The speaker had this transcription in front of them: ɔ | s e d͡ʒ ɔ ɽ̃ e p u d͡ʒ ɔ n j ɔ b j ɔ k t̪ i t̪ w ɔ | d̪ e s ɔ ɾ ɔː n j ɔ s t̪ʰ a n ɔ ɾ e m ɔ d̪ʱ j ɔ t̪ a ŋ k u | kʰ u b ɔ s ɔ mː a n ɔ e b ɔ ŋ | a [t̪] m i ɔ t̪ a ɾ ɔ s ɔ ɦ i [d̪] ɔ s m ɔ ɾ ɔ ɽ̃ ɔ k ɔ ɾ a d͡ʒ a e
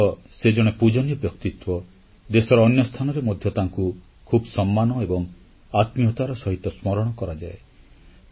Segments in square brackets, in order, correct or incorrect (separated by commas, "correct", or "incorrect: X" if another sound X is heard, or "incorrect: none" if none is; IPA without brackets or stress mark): correct, incorrect: t̪